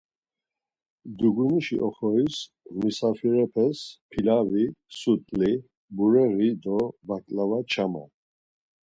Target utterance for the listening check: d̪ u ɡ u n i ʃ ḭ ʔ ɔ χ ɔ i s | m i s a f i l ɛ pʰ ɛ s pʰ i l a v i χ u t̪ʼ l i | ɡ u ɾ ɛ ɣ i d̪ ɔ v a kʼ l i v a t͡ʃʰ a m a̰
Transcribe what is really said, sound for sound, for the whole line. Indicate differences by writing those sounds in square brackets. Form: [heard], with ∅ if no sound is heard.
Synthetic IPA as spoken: d̪ u ɡ u n i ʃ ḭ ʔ ɔ χ ɔ i s | m i s a f i [ɾ] ɛ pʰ ɛ s pʰ i l a v i [s] u t̪ʼ l i | [b] u ɾ ɛ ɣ i d̪ ɔ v a kʼ l [a] v a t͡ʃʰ a m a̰